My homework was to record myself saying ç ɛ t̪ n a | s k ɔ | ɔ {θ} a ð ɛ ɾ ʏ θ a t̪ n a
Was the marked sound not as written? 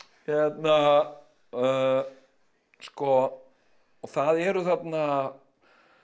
no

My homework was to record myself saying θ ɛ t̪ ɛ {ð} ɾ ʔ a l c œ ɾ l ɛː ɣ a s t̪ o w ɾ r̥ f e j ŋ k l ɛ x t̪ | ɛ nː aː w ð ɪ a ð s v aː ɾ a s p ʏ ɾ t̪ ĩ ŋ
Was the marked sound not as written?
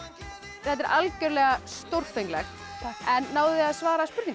yes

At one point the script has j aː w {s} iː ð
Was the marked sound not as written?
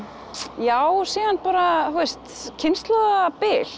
no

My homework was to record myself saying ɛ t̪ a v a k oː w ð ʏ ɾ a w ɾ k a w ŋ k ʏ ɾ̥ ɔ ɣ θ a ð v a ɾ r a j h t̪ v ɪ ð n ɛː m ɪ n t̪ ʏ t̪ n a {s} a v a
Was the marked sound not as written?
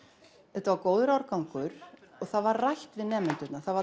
yes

